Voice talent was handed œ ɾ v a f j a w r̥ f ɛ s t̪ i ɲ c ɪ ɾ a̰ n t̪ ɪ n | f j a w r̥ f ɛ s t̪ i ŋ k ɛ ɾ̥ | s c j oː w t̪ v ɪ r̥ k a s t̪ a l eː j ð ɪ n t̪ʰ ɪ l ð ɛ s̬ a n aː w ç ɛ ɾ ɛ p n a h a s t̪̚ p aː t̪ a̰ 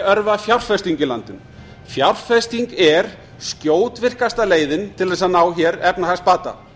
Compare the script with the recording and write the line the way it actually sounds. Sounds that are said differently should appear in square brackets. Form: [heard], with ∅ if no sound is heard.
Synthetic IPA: œ ɾ v a f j a w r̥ f ɛ s t̪ i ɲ c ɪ [l] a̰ n t̪ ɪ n | f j a w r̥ f ɛ s t̪ i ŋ k ɛ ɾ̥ | s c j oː w t̪ v ɪ r̥ k a s t̪ a l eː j ð ɪ n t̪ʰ ɪ l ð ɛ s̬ a n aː w ç ɛ ɾ ɛ p n a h a s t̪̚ p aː t̪ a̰